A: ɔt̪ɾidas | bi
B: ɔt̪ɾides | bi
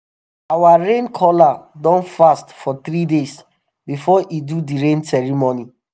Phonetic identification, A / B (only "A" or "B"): B